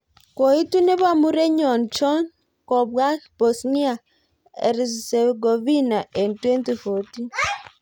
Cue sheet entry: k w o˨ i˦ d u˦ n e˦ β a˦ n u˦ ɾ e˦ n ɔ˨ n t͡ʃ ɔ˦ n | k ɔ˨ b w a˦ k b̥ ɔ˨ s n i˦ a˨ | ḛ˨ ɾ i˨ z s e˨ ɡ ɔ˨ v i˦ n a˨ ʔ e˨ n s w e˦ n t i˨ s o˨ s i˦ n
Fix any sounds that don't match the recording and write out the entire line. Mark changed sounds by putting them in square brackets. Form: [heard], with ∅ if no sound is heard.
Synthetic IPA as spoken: k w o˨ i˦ [t] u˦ n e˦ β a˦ [m] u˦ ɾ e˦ [ɲ] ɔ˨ n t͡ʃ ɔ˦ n | k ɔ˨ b w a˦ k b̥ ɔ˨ s n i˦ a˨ | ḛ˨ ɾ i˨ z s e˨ ɡ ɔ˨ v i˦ n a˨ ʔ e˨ n [t] w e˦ n t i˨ [f] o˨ [t] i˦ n